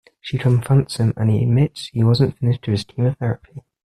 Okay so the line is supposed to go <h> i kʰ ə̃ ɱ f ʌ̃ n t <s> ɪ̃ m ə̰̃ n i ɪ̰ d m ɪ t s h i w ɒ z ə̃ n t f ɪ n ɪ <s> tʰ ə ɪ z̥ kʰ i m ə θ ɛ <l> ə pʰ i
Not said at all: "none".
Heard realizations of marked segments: ʃ, s, ʃ, ɹ

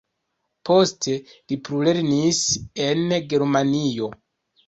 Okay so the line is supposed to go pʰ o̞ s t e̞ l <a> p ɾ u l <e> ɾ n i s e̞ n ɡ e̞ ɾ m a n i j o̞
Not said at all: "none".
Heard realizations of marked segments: i, e

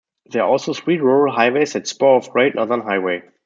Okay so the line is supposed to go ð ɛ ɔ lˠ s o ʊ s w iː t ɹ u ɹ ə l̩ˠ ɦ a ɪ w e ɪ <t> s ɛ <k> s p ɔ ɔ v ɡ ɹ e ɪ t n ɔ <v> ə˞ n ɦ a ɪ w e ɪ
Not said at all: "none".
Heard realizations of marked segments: none, t, ð

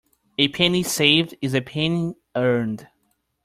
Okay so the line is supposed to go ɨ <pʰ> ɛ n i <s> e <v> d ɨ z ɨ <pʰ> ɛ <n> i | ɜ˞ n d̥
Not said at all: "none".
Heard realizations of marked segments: pʰ, s, v, pʰ, n

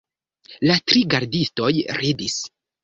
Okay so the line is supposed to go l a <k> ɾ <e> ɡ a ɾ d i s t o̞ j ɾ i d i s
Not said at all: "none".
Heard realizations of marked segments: t, i

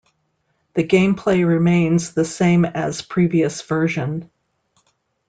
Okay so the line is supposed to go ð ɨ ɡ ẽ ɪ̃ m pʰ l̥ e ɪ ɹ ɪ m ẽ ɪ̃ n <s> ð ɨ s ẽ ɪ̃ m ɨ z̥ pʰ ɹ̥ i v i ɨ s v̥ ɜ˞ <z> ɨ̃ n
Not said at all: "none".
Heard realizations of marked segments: z, ʒ

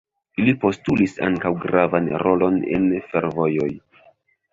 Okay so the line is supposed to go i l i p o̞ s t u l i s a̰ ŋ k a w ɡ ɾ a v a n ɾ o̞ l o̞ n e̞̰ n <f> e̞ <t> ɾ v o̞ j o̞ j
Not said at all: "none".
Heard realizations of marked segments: f, none

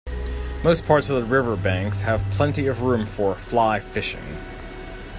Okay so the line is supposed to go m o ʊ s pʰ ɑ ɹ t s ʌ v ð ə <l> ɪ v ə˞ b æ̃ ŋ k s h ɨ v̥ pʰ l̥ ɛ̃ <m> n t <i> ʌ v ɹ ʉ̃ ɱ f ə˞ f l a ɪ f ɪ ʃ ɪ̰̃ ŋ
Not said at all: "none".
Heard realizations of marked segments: ɹ, none, i

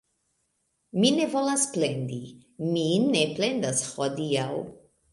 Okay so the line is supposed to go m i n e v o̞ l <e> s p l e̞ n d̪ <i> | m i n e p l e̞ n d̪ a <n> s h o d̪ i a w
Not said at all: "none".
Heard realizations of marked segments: a, i, none

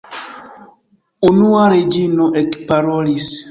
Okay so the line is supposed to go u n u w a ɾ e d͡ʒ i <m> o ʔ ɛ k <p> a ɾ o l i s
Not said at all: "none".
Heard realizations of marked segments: n, p

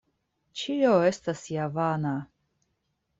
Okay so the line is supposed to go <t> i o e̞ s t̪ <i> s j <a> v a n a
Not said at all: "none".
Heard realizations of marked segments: t͡ʃ, a, a

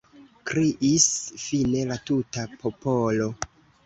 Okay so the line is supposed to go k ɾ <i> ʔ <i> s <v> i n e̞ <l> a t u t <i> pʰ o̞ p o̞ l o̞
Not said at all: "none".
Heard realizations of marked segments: i, i, f, l, a

